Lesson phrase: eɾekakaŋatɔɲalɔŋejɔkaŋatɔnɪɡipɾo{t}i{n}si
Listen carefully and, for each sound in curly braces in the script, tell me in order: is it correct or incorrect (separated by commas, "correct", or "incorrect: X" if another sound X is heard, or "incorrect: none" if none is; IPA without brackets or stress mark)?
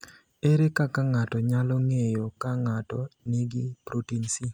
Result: correct, correct